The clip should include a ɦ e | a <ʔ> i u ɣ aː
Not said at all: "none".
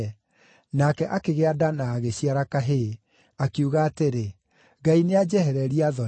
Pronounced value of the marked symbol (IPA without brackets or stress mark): k